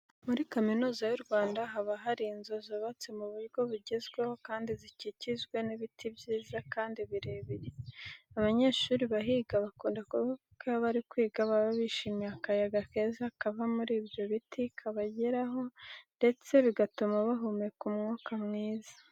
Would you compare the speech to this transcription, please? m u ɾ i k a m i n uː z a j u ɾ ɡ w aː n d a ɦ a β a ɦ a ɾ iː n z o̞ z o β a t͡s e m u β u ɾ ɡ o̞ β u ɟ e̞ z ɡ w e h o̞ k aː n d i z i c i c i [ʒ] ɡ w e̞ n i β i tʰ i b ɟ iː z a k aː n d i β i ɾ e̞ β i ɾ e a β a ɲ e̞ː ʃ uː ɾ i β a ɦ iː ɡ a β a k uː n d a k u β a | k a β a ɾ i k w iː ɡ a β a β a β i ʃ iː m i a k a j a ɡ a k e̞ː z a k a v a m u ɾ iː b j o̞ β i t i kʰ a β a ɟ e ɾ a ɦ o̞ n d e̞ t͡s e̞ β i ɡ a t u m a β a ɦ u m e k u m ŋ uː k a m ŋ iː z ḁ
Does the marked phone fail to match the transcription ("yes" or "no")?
yes